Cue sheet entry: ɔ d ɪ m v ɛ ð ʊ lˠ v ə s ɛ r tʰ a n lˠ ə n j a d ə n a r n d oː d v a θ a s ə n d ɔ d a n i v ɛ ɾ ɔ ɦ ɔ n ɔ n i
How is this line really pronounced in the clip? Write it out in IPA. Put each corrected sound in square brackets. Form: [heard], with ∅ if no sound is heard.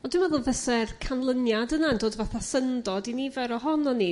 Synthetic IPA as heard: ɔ d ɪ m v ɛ ð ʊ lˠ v ə s ɛ r [kʰ] a n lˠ ə n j a d ə n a [∅] n d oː d v a θ a s ə n d ɔ d [i] n i v ɛ ɾ ɔ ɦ ɔ n ɔ n i